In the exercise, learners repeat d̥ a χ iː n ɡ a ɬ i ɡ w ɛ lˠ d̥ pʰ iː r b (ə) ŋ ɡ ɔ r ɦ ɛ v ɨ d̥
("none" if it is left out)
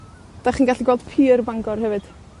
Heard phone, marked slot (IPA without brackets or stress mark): a